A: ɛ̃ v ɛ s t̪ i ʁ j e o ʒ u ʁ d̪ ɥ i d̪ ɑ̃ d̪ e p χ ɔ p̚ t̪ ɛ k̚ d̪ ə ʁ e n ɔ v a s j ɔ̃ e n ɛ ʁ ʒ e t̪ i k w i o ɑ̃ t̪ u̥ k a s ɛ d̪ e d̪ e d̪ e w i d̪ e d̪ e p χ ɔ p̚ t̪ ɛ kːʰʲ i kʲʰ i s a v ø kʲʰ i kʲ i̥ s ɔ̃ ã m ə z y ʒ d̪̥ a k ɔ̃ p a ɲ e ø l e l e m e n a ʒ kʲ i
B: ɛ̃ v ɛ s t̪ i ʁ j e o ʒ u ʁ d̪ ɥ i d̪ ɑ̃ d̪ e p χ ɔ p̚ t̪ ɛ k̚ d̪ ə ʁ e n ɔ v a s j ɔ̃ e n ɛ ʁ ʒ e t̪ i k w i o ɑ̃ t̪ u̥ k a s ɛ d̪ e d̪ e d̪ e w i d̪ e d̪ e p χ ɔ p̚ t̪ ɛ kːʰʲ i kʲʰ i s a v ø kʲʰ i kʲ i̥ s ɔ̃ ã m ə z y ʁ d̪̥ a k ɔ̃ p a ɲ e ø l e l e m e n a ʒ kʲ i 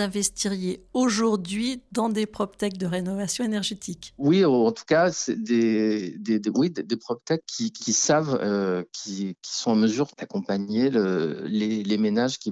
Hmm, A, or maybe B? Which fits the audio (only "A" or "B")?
B